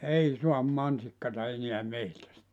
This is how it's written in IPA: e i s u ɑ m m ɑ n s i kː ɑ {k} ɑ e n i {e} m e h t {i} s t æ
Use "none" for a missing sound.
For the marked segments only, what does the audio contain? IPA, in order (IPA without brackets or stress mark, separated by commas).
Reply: t, æ, æ